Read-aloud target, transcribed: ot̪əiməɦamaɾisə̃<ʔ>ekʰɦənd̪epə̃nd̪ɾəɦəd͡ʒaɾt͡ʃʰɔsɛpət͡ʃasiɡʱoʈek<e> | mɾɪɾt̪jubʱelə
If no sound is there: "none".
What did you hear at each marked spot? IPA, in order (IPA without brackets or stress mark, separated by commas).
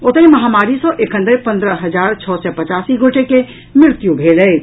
ʔ, e